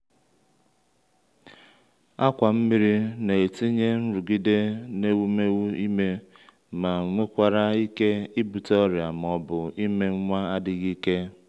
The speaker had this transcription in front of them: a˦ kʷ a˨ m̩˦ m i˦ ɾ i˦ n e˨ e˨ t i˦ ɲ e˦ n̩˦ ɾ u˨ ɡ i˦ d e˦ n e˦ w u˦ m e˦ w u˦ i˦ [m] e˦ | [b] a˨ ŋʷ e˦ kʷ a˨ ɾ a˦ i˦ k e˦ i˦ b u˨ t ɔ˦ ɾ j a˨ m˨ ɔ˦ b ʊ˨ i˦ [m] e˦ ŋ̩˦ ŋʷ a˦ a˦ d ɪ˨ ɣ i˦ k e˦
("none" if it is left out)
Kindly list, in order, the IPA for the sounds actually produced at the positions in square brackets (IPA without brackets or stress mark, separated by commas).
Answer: m, m, m